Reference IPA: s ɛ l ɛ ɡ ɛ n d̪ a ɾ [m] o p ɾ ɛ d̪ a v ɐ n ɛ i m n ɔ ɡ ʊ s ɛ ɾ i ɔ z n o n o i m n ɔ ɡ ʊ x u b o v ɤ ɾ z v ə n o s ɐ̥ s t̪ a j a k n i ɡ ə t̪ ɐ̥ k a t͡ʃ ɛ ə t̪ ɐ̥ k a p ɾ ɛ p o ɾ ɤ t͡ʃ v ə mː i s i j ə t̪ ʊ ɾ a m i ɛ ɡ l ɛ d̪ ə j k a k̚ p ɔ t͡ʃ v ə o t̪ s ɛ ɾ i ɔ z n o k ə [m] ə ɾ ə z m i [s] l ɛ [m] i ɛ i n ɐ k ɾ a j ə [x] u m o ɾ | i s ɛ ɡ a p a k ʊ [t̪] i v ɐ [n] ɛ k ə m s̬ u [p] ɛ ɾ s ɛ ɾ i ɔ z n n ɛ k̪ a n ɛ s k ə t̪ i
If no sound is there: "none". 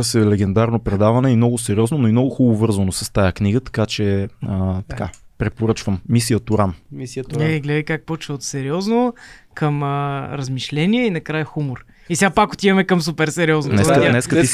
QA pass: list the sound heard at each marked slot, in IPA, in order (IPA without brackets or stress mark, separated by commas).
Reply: n, m, ʃ, n, x, t̪, m, p